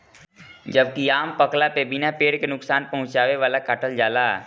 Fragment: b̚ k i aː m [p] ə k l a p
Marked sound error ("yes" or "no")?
no